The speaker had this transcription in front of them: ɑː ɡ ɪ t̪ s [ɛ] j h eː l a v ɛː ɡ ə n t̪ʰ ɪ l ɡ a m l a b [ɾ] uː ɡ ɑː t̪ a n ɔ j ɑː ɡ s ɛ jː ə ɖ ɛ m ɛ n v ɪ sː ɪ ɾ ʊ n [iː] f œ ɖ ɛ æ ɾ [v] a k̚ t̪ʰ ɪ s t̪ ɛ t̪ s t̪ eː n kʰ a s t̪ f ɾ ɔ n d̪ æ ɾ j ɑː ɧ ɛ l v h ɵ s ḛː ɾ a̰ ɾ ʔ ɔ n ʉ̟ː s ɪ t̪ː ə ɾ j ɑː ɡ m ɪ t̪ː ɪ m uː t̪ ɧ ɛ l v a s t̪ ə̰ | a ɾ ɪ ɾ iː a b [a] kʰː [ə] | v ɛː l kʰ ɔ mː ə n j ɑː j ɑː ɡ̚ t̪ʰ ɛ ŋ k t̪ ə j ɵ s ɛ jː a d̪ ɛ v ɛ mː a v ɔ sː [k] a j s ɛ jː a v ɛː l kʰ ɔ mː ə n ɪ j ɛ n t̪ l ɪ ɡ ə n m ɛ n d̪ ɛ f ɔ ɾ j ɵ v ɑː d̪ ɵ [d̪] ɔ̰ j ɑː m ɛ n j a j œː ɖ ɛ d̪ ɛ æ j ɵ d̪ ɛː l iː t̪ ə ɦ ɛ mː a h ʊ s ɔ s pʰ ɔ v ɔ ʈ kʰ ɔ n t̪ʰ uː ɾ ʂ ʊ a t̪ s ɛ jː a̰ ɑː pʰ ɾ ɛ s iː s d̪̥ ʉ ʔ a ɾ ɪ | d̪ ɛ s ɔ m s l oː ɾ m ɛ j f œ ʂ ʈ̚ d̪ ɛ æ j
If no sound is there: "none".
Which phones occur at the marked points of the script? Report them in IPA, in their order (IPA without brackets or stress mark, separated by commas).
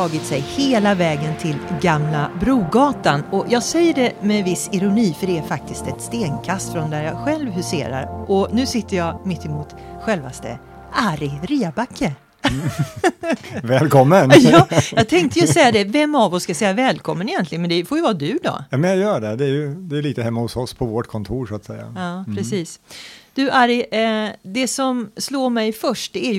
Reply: ɛ, ɾ, iː, f, a, ə, k, d̪